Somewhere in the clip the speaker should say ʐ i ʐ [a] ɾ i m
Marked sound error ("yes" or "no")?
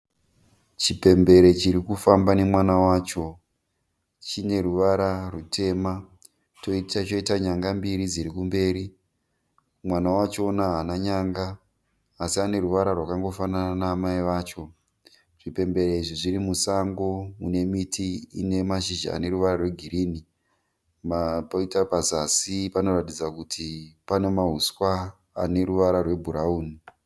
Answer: yes